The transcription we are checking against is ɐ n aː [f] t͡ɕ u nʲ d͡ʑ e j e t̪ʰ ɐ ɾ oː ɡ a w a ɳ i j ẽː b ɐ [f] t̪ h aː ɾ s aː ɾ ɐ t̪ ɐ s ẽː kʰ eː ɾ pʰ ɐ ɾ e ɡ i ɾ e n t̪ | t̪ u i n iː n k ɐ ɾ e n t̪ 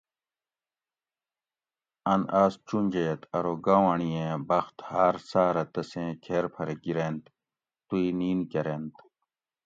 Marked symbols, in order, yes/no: no, no

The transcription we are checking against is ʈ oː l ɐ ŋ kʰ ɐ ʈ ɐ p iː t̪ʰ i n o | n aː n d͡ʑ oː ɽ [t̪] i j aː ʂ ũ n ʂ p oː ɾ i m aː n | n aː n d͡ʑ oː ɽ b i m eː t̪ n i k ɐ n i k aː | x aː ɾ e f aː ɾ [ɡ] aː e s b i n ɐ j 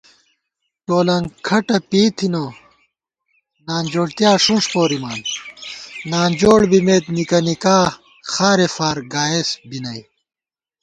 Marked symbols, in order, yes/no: yes, yes

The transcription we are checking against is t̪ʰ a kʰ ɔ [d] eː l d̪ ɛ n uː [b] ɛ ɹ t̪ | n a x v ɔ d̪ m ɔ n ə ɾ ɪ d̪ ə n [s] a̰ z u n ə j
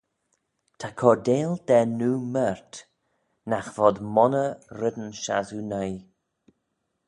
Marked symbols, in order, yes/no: yes, no, no

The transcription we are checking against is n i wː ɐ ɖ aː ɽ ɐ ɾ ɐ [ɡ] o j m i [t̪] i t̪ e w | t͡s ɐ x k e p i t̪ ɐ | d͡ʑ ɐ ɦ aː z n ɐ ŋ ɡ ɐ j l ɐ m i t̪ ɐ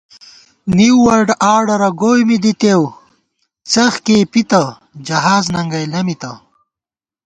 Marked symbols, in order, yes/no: yes, no

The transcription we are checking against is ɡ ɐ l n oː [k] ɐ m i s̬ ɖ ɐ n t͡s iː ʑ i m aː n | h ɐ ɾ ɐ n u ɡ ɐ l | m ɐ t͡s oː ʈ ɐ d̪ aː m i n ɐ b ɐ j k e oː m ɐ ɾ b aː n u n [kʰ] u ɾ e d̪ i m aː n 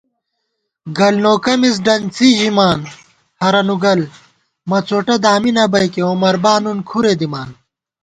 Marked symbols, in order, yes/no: yes, yes

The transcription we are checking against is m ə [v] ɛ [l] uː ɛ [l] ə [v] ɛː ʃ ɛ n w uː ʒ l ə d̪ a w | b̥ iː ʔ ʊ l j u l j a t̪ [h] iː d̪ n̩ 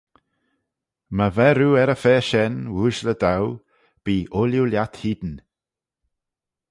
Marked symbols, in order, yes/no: yes, no, no, no, yes

